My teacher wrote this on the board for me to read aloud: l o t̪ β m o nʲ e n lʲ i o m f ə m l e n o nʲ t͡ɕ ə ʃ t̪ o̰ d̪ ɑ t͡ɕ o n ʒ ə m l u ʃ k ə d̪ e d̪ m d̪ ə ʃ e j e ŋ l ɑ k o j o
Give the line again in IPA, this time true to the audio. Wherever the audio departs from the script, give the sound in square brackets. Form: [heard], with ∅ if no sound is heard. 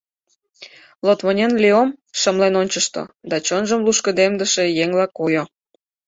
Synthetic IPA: l o t̪ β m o nʲ e n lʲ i o m [ʃ] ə m l e n o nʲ t͡ɕ ə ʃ t̪ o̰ d̪ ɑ t͡ɕ o n ʒ ə m l u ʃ k ə d̪ e [∅] m d̪ ə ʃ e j e ŋ l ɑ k o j o